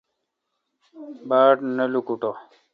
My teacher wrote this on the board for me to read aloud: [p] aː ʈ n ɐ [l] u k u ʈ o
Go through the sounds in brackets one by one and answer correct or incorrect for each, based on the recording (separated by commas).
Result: incorrect, correct